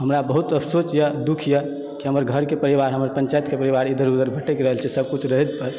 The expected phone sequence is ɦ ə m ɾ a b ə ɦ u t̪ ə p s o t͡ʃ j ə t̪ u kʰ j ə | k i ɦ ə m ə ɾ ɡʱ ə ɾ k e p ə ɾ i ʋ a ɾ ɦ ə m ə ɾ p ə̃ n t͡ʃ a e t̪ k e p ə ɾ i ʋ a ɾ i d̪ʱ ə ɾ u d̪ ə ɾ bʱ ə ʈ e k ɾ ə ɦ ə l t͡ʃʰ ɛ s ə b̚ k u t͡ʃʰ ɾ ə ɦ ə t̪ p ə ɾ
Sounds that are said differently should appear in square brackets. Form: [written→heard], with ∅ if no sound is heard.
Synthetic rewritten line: ɦ ə m ɾ a b ə ɦ u t̪ ə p s o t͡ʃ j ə [t̪→d̪] u kʰ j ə | k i ɦ ə m ə ɾ ɡʱ ə ɾ k e p ə ɾ i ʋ a ɾ ɦ ə m ə ɾ p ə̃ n t͡ʃ a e t̪ k e p ə ɾ i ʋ a ɾ i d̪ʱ ə ɾ u d̪ ə ɾ bʱ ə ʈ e k ɾ ə ɦ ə l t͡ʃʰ ɛ s ə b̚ k u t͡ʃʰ ɾ ə ɦ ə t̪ p ə ɾ